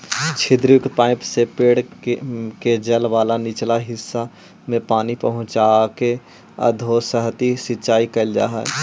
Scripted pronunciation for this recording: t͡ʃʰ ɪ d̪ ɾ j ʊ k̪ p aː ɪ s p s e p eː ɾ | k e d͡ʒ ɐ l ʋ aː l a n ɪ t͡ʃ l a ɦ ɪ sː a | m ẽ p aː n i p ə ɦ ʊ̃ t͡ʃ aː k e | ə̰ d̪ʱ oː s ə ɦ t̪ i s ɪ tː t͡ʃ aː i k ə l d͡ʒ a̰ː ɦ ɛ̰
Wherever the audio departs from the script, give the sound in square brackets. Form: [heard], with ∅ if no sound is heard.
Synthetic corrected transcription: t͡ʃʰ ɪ d̪ ɾ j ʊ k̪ p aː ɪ [∅] p s e p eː [ɽ] | k e d͡ʒ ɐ l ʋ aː l a n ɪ t͡ʃ l a ɦ ɪ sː a | m ẽ p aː n i p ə ɦ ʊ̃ t͡ʃ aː k e | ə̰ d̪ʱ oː s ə ɦ t̪ i s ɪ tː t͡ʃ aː i k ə l d͡ʒ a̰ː ɦ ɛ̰